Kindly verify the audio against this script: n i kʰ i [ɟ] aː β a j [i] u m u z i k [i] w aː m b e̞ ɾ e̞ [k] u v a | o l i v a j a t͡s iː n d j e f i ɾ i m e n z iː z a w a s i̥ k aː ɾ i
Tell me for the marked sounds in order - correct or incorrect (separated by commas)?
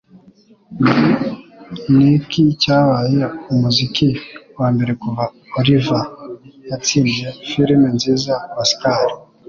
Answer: incorrect, incorrect, correct, correct